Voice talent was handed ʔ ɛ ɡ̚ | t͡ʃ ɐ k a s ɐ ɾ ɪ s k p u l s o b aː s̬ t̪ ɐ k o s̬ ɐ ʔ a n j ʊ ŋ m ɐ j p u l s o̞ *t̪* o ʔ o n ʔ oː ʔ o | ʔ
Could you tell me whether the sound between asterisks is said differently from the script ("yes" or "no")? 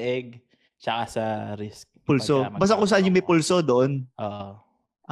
yes